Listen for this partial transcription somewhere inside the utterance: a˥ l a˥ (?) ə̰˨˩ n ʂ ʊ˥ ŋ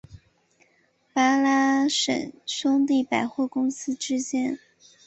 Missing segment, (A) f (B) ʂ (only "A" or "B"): B